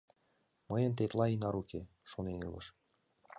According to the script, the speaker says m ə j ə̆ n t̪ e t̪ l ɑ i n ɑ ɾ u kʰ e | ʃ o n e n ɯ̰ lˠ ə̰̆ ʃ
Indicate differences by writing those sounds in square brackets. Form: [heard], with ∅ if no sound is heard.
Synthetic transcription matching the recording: m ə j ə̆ n t̪ e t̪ l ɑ i n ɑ ɾ u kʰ e | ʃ o n e n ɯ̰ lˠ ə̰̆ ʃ

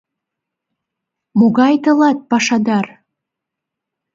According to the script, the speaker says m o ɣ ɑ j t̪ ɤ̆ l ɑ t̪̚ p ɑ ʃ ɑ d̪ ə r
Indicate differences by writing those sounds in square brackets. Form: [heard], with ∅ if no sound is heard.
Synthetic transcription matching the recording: m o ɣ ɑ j t̪ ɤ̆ l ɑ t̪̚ p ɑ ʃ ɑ d̪ [ɑ] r

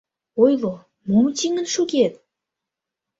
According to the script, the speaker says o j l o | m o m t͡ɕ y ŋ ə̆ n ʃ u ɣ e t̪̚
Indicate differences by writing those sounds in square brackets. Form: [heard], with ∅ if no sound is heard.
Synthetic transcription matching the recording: o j l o | m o m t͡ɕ [i] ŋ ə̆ n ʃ u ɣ e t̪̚

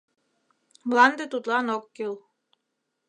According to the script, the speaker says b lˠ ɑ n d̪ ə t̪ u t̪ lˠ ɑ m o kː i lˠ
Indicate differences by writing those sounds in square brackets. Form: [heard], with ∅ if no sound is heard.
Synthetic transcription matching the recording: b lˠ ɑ n d̪ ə t̪ u t̪ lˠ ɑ [n] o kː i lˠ

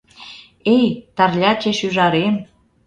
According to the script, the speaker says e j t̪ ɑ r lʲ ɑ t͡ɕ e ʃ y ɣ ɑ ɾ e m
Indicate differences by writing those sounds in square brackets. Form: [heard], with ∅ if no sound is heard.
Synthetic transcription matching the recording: e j t̪ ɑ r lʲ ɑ t͡ɕ e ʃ y [ʒ] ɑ ɾ e m

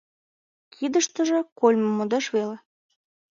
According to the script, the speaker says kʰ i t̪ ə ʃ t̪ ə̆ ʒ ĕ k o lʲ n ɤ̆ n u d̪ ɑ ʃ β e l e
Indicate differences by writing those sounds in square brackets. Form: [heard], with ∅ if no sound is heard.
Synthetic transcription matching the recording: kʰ i [d̪] ə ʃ t̪ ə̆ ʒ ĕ k o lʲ [m] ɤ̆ [m] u d̪ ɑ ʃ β e l e

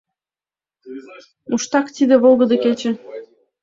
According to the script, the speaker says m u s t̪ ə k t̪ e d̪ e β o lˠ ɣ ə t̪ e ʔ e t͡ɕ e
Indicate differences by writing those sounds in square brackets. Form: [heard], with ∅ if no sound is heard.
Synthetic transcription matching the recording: m u [ʃ] t̪ [ɑ] k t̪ [i] d̪ e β o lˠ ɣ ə [d̪] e [k] e t͡ɕ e

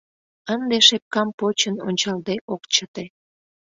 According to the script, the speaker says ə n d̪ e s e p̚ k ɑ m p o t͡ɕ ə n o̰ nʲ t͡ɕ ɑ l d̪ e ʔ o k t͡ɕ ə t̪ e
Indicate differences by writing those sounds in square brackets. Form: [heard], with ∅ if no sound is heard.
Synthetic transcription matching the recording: ə n d̪ e [ʃ] e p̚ k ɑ m p o t͡ɕ ə n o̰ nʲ t͡ɕ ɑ l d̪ e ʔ o k t͡ɕ ə t̪ e

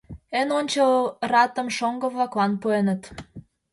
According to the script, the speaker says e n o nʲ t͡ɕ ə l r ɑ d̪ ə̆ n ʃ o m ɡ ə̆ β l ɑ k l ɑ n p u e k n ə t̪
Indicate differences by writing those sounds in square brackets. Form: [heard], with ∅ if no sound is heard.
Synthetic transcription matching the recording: e n o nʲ t͡ɕ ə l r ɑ [t̪] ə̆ [m] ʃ o [ŋ] ɡ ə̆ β l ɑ k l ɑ n p u e [∅] n ə t̪

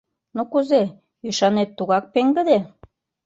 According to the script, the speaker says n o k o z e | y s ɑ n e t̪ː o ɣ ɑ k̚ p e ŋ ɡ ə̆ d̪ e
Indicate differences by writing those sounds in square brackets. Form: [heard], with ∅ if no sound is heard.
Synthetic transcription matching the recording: n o k [u] z e | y [ʃ] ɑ n e t̪ː [u] ɣ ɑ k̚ p e ŋ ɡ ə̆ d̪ e

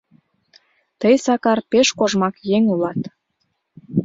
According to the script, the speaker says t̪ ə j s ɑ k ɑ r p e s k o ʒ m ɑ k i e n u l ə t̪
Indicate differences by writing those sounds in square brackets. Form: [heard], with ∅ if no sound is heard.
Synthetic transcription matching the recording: t̪ ə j s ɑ k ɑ r p e [ʃ] k o ʒ m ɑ k [j] e [ŋ] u l [ɑ] t̪

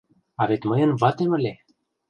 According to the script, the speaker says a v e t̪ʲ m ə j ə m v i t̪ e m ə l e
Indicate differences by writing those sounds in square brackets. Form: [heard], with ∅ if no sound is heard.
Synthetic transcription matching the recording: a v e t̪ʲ m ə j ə [n] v [a] t̪ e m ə l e

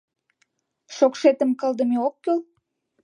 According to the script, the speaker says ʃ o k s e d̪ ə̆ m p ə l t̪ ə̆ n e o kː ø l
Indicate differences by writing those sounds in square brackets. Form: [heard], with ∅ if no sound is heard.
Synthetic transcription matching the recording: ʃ o k [ʃ] e [t̪] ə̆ m [k] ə l [d̪] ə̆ [m] e o kː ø l

